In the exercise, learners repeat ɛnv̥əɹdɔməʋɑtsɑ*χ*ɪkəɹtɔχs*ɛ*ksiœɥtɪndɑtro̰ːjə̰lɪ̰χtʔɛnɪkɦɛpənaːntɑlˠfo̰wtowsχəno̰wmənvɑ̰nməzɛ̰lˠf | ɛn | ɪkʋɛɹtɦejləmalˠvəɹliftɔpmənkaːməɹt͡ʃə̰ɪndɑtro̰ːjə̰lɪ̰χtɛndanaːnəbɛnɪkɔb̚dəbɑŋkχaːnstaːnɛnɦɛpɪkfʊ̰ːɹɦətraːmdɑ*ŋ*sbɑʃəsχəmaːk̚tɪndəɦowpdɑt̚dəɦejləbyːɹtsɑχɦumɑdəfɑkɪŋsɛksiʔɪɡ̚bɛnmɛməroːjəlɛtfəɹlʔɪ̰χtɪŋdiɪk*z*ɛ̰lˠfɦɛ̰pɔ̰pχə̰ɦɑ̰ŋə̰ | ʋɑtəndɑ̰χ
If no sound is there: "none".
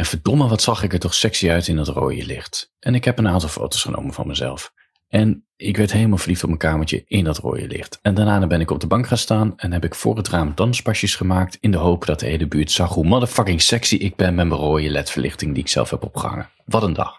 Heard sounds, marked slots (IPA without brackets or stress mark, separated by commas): χ, ɛ, n, s